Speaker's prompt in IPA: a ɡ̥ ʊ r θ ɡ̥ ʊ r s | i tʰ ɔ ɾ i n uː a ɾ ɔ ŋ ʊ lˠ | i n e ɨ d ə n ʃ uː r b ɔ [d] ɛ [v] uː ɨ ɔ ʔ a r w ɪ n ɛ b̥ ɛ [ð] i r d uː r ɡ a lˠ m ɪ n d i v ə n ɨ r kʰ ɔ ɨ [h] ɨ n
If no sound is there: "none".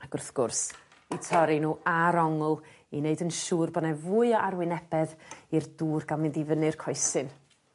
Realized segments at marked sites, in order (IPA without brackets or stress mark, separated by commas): n, v, ð, s